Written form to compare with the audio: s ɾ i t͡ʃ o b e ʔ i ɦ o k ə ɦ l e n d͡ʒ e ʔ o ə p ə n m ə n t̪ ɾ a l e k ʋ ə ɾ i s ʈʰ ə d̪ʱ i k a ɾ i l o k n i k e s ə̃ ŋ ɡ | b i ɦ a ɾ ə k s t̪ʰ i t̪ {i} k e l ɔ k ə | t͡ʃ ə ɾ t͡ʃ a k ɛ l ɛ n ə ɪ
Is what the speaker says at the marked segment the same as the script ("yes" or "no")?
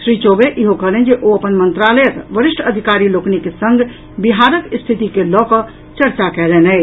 yes